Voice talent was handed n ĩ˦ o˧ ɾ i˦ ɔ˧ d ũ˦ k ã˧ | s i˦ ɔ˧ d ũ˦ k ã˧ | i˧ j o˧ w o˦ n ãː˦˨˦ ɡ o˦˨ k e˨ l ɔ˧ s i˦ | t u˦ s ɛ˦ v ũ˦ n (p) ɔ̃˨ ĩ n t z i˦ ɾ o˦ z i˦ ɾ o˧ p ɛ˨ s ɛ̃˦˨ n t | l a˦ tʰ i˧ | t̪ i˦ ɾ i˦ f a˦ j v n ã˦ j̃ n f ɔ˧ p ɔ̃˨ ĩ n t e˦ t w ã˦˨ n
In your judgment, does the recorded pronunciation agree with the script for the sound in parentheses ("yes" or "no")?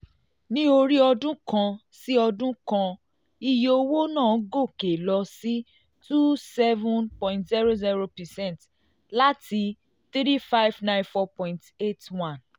yes